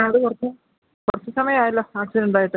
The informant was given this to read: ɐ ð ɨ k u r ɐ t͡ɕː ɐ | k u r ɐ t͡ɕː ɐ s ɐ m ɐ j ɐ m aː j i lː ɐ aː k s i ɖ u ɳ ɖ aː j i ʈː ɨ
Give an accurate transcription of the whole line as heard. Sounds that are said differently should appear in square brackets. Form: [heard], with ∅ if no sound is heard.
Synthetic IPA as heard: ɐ ð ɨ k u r ɐ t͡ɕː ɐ | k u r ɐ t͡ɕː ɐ s ɐ m ɐ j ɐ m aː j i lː ɐ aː k s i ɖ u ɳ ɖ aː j i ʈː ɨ